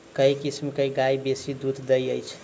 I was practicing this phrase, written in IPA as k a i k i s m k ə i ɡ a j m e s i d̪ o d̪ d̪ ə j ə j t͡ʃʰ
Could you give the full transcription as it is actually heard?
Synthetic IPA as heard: k ə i k i s m k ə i ɡ a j b e s i d̪ u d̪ d̪ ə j ə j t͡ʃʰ

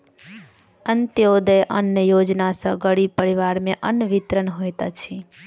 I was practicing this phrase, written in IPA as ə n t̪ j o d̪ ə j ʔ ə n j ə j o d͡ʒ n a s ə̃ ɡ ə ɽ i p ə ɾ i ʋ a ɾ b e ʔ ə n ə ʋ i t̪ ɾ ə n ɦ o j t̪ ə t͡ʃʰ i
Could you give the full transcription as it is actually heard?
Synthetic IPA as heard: ə n t̪ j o d̪ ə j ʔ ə n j ə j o d͡ʒ n a s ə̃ ɡ ə ɽ i p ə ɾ i ʋ a ɾ m e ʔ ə n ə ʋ i t̪ ɾ ə n ɦ o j t̪ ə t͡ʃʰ i

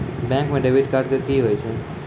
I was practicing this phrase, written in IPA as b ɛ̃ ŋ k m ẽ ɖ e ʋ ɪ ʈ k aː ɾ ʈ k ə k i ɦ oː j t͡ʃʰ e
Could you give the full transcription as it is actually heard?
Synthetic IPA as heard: b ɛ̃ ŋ k m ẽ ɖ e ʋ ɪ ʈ k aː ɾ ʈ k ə k i ɦ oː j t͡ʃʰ e

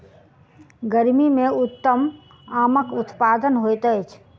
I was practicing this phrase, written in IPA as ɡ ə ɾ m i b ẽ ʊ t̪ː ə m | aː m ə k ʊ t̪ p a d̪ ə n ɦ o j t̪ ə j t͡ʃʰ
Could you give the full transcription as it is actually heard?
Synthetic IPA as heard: ɡ ə ɾ m i m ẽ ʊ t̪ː ə m | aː m ə k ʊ t̪ p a d̪ ə n ɦ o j t̪ ə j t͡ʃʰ

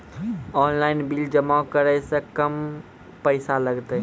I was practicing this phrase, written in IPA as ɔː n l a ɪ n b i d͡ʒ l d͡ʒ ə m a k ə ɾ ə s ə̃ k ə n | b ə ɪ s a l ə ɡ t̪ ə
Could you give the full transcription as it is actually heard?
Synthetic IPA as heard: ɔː n l a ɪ n b i l d͡ʒ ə m a k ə ɾ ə s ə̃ k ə m | p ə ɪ s a l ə ɡ t̪ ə

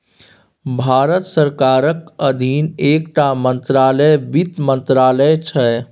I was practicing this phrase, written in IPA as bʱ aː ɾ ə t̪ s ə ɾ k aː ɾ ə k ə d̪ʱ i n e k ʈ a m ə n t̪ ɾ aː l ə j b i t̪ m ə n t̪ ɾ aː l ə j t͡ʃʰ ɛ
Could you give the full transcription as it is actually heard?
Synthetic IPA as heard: bʱ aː ɾ ə t̪ s ə ɾ k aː ɾ ə k ə d̪ʱ i n e k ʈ a m ə n t̪ ɾ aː l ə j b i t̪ m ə n t̪ ɾ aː l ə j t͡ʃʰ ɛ

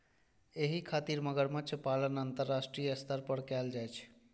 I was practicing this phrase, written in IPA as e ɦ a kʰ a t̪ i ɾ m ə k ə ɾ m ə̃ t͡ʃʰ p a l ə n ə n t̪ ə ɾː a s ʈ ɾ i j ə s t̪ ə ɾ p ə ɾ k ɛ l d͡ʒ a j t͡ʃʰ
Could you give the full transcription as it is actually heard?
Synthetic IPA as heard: e ɦ i kʰ a t̪ i ɾ m ə ɡ ə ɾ m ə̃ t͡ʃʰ p a l ə n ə n t̪ ə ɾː a s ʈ ɾ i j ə s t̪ ə ɾ p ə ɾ k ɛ l d͡ʒ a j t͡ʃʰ

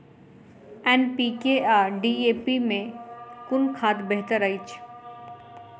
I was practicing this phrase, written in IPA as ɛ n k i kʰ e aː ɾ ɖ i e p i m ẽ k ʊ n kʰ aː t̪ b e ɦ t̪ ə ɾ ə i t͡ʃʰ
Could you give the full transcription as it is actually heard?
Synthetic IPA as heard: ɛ n p i k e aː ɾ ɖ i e p i m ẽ k ʊ n kʰ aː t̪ b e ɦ t̪ ə ɾ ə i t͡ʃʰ

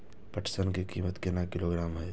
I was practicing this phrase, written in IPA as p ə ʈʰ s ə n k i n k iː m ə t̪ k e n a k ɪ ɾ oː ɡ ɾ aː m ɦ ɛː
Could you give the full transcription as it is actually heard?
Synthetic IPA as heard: p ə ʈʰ s ə n k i k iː m ə t̪ k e n a k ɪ l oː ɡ ɾ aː m ɦ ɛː

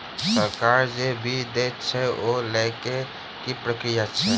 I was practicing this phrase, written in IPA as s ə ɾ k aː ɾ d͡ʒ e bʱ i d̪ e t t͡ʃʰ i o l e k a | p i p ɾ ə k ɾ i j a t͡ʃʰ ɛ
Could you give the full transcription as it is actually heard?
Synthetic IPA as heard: s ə ɾ k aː ɾ d͡ʒ e bʱ i d̪ e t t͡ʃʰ ɛ o l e k e | k i p ɾ ə k ɾ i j a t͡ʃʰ ɛ

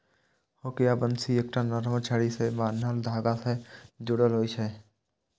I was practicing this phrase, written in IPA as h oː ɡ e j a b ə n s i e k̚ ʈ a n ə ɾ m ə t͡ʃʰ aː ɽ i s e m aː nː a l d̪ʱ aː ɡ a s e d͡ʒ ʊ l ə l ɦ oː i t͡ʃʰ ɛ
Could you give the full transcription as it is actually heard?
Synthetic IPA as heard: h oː k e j a b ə n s i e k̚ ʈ a n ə ɾ m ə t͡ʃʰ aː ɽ i s e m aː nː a l d̪ʱ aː ɡ a s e d͡ʒ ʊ ɽ ə l ɦ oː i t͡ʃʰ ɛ

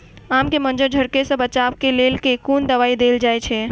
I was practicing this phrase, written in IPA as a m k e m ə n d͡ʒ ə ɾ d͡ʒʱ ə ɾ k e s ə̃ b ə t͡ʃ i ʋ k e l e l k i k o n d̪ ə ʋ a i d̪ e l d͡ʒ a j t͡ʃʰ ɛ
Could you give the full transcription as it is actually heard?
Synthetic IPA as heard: a m k e m ə n d͡ʒ ə ɾ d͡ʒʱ ə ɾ k e s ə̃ b ə t͡ʃ a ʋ k e l e l k e k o n d̪ ə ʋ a i d̪ e l d͡ʒ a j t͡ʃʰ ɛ

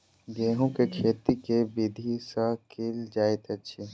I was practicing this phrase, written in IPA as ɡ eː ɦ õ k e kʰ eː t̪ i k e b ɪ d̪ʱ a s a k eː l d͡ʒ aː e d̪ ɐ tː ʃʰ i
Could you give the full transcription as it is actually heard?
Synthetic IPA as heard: ɡ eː ɦ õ k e kʰ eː t̪ i k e b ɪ d̪ʱ i s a k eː l d͡ʒ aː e t̪ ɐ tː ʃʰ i

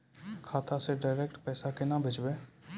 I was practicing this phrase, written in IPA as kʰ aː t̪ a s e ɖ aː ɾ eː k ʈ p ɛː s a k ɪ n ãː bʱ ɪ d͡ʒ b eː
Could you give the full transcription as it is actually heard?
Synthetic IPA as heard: kʰ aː t̪ a s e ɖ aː ɾ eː k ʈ p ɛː s a k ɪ n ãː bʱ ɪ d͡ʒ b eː

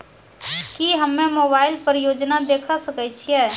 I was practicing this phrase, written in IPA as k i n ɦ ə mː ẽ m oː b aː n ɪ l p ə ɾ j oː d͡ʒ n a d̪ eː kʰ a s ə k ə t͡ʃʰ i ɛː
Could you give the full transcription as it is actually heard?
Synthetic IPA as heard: k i ɦ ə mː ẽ m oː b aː ɪ l p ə ɾ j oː d͡ʒ n a d̪ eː kʰ a s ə k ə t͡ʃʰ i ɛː

